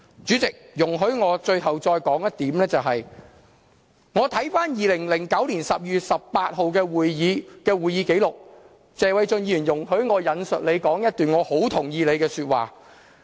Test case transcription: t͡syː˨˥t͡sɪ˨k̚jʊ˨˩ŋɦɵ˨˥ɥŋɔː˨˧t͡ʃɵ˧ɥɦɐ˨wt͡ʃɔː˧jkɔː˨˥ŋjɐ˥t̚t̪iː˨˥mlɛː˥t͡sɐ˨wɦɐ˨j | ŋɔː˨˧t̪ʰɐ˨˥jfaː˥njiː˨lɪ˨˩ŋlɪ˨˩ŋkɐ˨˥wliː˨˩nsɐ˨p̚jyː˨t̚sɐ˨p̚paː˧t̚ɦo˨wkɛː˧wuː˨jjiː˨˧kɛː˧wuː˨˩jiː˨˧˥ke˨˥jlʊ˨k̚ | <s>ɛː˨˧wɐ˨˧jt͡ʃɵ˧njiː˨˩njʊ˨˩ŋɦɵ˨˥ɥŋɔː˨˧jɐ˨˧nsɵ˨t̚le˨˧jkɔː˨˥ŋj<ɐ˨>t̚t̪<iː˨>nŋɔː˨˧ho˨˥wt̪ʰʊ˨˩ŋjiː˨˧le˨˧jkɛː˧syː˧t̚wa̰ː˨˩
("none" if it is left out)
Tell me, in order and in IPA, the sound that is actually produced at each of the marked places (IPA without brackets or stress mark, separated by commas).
t͡s, ɐ˥, yː˨